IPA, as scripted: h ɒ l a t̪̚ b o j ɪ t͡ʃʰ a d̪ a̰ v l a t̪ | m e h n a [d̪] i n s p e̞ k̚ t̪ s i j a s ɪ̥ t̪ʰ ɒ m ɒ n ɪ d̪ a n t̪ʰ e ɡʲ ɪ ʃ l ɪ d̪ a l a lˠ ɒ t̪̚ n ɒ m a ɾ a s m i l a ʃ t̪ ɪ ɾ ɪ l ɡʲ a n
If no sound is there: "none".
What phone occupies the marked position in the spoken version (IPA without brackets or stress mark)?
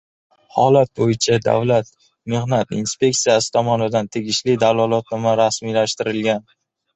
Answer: t̪